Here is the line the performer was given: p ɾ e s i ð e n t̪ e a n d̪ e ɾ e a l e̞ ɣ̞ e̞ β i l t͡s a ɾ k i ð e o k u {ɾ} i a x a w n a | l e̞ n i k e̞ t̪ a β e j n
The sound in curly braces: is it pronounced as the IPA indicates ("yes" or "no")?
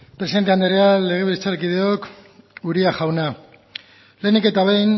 yes